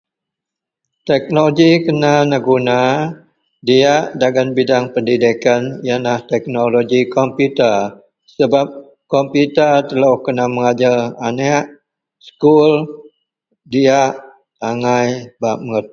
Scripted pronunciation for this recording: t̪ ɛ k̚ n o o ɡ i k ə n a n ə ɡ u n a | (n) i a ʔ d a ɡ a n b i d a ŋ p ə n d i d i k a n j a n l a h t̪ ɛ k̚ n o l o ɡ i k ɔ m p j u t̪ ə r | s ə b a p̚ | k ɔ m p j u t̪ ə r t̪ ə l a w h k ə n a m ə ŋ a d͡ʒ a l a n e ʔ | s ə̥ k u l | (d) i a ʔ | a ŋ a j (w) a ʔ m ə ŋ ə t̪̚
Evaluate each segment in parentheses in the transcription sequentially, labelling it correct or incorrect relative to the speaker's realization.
incorrect: d, correct, incorrect: b

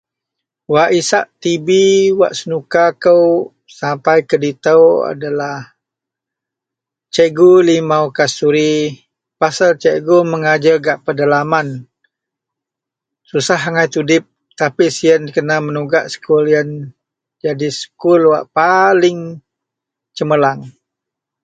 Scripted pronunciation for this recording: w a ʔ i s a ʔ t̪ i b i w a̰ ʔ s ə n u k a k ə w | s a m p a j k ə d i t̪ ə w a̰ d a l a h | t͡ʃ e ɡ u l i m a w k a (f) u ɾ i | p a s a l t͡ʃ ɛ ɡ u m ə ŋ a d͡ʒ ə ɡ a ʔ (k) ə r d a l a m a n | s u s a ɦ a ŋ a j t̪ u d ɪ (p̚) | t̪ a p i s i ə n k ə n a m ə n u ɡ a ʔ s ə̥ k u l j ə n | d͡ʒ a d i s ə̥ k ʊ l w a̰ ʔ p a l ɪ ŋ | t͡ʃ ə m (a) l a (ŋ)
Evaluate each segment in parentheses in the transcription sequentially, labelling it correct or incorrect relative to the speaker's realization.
incorrect: s, incorrect: p, correct, incorrect: ə, correct

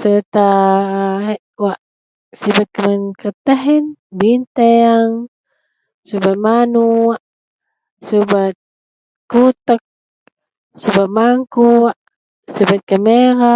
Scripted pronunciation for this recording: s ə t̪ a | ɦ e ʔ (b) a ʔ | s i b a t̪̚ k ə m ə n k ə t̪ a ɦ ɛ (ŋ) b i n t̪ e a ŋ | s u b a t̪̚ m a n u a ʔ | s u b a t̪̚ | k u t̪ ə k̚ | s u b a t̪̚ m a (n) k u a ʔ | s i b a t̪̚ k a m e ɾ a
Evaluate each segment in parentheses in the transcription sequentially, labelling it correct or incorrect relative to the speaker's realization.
incorrect: w, incorrect: n, incorrect: ŋ

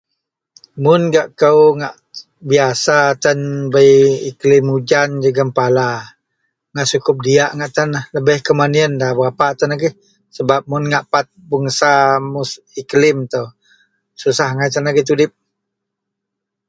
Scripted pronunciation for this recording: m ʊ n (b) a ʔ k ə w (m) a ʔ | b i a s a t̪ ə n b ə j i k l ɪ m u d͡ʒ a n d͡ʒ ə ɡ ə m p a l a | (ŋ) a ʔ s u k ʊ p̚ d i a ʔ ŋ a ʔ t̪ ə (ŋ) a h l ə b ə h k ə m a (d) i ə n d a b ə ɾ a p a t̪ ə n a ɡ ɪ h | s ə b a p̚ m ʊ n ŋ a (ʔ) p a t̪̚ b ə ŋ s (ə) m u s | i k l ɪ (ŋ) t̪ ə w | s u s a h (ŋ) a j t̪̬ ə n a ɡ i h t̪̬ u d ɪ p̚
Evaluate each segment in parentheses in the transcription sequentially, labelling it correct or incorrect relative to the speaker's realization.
incorrect: ɡ, incorrect: ŋ, correct, incorrect: n, incorrect: n, correct, incorrect: a, incorrect: m, correct

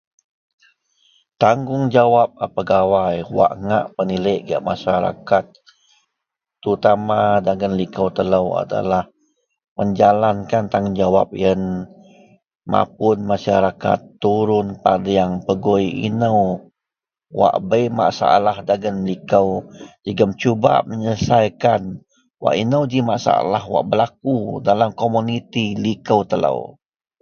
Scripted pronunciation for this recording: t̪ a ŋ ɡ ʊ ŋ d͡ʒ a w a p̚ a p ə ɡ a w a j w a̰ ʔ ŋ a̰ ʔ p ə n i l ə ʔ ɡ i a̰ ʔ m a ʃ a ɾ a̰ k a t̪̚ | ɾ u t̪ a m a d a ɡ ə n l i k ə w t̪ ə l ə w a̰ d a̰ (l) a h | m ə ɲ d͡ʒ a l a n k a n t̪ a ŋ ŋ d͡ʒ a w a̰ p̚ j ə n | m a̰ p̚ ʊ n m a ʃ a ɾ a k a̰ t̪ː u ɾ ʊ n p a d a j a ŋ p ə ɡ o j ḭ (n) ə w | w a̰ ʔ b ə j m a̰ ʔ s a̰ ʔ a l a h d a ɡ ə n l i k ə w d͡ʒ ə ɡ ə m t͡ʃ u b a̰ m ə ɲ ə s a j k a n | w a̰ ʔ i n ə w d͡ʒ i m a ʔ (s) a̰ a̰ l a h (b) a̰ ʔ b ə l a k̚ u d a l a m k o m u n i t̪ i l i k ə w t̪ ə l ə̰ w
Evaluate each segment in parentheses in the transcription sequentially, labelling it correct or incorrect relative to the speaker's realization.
correct, correct, correct, incorrect: w

